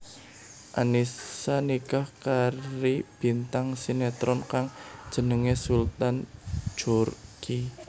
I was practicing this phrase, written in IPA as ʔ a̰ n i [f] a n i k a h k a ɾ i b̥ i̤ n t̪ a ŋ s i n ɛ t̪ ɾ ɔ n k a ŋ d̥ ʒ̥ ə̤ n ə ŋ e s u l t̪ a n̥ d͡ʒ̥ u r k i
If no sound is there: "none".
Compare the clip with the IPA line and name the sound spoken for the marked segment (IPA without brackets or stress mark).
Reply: s